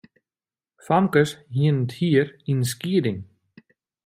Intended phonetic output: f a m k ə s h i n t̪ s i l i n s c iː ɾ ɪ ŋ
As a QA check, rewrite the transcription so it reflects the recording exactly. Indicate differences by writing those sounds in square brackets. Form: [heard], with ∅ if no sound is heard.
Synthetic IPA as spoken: f a m k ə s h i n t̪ [h] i [ɾ] i n s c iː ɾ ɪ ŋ